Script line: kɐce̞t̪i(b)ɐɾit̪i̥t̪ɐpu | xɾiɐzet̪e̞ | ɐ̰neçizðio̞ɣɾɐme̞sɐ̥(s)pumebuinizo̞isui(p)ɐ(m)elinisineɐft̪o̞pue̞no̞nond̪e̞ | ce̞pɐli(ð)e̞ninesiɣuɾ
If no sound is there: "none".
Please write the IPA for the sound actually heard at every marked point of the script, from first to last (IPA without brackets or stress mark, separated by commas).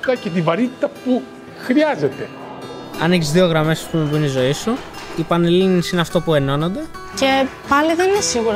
v, s, p, n, ð